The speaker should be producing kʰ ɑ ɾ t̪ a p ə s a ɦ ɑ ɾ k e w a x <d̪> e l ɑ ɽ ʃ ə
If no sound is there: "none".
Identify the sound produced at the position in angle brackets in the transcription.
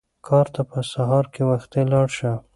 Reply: t̪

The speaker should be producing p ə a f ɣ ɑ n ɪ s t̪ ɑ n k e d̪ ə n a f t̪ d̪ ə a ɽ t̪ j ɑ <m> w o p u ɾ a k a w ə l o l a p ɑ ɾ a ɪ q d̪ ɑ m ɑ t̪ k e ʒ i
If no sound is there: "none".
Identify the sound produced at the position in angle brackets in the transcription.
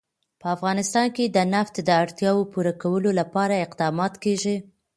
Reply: none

